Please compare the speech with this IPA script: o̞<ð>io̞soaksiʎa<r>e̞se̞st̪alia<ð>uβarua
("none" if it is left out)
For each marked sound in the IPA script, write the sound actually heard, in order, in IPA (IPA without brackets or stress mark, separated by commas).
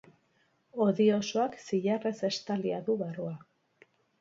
ð, r, ð